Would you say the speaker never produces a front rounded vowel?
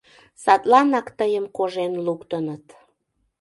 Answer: yes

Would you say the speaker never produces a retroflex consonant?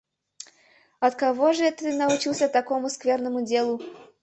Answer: no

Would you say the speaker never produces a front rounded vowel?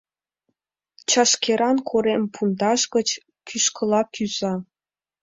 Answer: no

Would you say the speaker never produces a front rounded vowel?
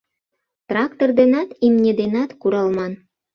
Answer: yes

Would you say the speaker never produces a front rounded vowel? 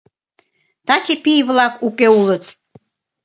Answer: yes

